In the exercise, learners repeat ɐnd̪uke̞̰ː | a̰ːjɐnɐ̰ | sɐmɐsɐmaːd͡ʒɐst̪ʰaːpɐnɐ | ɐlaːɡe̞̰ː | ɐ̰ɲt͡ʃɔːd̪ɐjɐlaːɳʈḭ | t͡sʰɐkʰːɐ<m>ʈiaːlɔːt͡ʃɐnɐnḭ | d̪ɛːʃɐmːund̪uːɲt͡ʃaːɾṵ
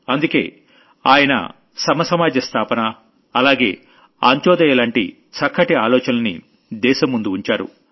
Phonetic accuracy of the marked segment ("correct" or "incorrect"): incorrect